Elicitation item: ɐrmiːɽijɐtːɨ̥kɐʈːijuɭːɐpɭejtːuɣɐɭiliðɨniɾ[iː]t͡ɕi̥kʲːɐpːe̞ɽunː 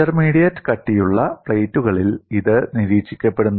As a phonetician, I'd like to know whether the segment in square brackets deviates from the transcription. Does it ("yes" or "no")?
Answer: no